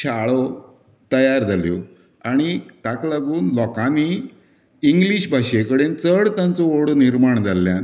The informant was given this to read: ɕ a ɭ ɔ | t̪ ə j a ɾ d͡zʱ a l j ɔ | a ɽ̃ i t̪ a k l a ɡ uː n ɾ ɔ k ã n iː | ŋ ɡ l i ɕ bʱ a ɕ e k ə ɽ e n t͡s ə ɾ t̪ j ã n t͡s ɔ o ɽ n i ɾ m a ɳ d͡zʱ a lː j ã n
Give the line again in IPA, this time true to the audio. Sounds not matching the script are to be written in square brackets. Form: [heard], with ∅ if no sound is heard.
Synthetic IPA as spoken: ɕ a ɭ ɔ | t̪ ə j a ɾ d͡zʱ a l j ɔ | a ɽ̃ i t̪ a k l a ɡ uː n [l] ɔ k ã n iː | ŋ ɡ l i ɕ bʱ a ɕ e k ə ɽ e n t͡s ə [ɽ] t̪ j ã n t͡s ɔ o ɽ n i ɾ m a ɳ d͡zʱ a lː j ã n